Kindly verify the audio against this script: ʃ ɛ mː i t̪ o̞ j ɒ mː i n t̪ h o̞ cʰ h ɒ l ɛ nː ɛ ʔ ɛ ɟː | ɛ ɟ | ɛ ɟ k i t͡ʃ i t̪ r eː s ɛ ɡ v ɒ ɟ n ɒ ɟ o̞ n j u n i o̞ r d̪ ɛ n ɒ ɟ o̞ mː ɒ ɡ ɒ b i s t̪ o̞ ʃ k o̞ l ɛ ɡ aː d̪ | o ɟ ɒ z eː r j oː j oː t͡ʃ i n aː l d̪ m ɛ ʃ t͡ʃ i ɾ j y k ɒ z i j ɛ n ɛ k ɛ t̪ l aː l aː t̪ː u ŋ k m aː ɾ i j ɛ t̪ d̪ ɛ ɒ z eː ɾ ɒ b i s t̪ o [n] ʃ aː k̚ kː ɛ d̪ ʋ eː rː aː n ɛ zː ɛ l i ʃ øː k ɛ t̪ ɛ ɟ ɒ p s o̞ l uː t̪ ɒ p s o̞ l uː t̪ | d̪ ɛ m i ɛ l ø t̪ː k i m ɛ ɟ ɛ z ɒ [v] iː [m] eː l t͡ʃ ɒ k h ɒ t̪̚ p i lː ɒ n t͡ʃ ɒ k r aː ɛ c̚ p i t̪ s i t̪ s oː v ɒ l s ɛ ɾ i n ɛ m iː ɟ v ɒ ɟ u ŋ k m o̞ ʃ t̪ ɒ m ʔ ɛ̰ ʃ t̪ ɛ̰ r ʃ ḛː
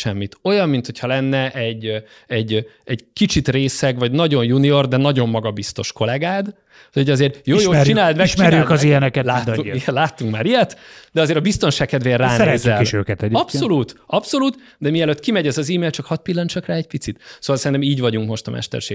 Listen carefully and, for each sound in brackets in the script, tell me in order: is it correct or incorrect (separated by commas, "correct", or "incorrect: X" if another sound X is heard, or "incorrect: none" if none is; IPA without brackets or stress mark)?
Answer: correct, incorrect: z, correct